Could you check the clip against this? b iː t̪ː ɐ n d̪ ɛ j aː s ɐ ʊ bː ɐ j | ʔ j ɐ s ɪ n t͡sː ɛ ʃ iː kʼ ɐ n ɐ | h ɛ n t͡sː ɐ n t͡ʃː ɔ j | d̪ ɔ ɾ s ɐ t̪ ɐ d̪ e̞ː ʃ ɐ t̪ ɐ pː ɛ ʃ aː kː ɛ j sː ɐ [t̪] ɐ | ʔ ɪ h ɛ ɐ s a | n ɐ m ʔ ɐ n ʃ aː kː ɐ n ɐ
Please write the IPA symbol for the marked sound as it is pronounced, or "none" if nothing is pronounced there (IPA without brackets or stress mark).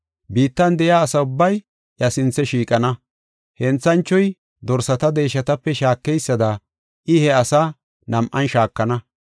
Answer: d̪